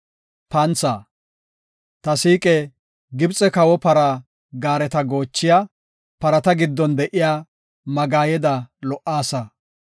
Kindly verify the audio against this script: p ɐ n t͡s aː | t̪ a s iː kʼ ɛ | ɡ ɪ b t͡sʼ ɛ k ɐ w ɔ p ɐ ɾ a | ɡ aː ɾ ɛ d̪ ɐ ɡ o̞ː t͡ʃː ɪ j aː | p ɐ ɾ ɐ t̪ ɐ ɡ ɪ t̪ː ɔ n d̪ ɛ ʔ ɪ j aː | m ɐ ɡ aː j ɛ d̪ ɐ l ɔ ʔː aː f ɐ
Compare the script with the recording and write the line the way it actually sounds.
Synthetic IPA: p ɐ n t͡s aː | t̪ ɐ s iː kʼ ɛ | ɡ ɪ b t͡sʼ ɛ k ɐ w ɔ p ɐ ɾ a | ɡ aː ɾ ɛ t̪ ɐ ɡ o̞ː t͡ʃː ɪ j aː | p ɐ ɾ ɐ t̪ ɐ ɡ ɪ d̪ː ɔ n d̪ ɛ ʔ ɪ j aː | m ɐ ɡ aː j ɛ d̪ ɐ l ɔ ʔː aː s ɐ